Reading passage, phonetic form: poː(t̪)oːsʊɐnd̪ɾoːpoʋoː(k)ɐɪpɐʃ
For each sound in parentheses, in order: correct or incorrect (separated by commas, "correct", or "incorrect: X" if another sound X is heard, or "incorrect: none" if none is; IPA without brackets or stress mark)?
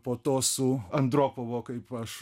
correct, correct